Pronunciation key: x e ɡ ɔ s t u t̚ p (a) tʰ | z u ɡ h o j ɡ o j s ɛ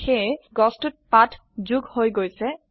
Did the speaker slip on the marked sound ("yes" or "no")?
no